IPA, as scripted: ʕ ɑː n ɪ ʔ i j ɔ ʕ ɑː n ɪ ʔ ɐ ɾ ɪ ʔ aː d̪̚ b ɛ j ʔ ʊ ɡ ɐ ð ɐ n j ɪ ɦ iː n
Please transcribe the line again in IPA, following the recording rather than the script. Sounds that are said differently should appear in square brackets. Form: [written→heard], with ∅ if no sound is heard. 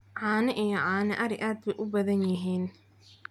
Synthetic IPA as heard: ʕ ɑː n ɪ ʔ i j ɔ ʕ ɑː n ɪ ʔ ɐ ɾ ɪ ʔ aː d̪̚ b ɛ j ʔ ʊ [ɡ→b] ɐ ð ɐ n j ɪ ɦ iː n